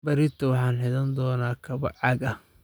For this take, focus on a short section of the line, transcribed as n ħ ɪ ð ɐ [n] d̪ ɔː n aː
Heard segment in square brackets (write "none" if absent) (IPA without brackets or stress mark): n